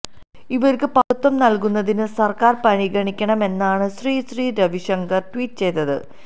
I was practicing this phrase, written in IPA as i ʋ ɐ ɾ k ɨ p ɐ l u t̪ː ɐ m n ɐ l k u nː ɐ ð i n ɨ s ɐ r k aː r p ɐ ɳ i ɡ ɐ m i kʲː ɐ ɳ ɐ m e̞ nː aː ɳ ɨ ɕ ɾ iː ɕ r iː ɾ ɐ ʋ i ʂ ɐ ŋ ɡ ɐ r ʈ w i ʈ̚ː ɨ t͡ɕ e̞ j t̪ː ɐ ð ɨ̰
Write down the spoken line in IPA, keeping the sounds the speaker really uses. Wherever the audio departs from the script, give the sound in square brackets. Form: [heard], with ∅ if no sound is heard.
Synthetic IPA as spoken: i ʋ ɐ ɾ k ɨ p ɐ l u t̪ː ɐ m n ɐ l k u nː ɐ ð i n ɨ s ɐ r k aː r p ɐ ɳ i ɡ ɐ [ɳ] i kʲː ɐ ɳ ɐ m e̞ nː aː ɳ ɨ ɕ [r] iː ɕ r iː ɾ ɐ ʋ i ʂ ɐ ŋ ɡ ɐ r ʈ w [iː] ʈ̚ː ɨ t͡ɕ e̞ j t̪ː ɐ ð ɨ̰